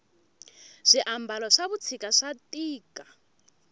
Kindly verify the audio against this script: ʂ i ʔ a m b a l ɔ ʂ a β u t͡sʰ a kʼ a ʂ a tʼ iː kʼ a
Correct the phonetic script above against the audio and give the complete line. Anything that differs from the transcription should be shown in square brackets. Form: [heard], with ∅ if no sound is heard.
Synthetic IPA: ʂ i ʔ a m b a l ɔ ʂ a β u t͡sʰ [i] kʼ a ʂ a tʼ iː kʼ a